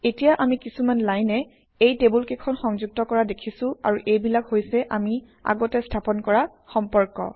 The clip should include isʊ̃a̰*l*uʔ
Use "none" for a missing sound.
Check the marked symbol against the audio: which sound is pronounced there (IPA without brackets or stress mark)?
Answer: ɹ